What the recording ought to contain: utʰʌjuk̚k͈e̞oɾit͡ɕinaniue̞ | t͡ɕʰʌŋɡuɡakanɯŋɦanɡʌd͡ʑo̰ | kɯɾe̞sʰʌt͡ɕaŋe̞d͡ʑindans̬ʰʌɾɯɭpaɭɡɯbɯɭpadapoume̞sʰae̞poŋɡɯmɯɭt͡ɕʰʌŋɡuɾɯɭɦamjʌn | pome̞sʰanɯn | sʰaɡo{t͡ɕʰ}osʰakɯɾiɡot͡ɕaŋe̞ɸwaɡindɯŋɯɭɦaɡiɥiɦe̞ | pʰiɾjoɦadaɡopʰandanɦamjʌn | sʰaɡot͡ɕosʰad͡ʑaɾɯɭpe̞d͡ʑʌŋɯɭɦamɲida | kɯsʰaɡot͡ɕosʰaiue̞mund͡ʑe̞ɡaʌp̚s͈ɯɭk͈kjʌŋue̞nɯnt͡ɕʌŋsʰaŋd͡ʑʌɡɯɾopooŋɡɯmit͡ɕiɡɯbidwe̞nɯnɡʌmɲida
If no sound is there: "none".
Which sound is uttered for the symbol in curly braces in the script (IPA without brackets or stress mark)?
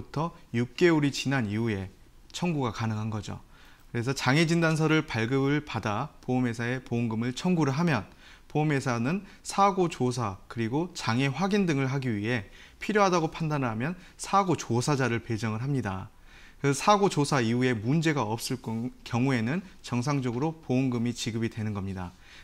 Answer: t͡ɕ